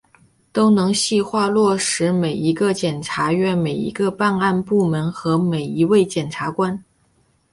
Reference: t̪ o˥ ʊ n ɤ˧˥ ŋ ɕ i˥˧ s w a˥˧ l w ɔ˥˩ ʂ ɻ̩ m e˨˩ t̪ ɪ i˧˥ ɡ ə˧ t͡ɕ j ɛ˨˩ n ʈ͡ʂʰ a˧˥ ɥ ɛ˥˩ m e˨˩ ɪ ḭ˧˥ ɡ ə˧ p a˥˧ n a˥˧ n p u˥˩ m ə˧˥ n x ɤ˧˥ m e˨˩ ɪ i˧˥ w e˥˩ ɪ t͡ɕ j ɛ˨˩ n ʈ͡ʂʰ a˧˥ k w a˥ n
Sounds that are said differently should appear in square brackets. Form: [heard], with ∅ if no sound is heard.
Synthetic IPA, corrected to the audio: t̪ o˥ ʊ n ɤ˧˥ ŋ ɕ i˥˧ [x] w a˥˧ l w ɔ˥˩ ʂ ɻ̩ m e˨˩ [∅] ɪ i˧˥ ɡ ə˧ t͡ɕ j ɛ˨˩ n ʈ͡ʂʰ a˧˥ ɥ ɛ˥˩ m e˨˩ ɪ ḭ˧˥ ɡ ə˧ p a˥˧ n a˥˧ n p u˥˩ m ə˧˥ n x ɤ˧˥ m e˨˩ ɪ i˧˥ w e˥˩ ɪ t͡ɕ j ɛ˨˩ n ʈ͡ʂʰ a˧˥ k w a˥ n